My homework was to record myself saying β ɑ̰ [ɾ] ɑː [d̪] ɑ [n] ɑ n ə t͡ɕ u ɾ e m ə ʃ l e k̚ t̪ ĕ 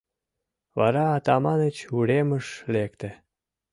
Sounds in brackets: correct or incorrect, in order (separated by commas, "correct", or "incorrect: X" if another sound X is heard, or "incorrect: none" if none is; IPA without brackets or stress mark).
correct, incorrect: t̪, incorrect: m